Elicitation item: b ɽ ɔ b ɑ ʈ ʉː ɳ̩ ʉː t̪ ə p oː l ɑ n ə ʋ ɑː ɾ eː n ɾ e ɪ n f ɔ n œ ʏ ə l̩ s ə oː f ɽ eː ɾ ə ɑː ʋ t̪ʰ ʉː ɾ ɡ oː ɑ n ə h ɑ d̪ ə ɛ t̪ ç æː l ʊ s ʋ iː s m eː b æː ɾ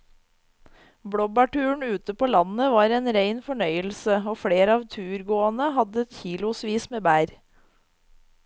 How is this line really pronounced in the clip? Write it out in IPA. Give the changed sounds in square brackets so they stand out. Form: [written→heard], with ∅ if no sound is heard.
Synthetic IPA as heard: b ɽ ɔ b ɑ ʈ ʉː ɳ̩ ʉː t̪ ə p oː l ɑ n ə ʋ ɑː ɾ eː n ɾ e ɪ n f ɔ [n→ɳ] œ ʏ ə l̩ s ə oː f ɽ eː ɾ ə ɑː ʋ t̪ʰ ʉː ɾ ɡ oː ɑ n ə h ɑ d̪ ə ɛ t̪ ç [æː→iː] l ʊ s ʋ iː s m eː b æː ɾ